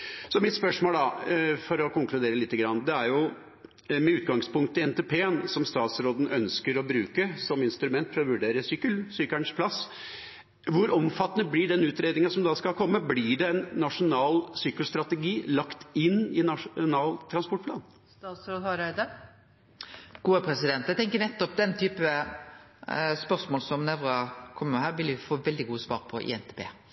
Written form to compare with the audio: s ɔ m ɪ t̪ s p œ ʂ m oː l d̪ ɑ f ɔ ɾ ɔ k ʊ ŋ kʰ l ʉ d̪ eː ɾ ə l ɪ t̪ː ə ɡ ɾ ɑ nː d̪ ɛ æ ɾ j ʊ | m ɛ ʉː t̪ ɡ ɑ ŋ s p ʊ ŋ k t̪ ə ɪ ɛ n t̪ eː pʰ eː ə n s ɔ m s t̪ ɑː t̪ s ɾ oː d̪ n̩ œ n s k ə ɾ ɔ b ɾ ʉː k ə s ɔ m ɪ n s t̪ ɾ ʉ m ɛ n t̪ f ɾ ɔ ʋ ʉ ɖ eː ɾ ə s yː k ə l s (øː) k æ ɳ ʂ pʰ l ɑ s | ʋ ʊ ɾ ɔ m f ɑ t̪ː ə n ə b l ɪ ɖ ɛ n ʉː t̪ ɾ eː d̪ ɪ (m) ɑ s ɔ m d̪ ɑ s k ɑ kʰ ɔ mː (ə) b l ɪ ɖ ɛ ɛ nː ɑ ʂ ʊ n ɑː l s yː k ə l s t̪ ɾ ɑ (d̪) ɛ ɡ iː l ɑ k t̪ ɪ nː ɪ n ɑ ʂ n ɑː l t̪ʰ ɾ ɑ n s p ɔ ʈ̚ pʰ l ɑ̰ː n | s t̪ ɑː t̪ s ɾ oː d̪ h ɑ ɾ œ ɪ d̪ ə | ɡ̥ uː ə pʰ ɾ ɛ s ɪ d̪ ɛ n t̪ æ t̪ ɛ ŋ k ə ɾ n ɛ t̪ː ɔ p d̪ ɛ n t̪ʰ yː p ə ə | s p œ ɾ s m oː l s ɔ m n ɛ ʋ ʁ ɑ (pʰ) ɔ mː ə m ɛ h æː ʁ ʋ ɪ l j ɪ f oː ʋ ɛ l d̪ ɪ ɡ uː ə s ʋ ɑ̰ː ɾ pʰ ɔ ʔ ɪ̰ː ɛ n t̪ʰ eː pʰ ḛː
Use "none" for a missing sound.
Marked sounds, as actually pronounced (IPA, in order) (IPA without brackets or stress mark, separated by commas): yː, ŋ, ə, t̪, kʰ